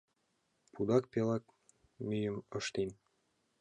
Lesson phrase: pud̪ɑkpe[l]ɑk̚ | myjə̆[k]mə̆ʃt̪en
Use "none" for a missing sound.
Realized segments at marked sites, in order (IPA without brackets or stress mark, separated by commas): l, none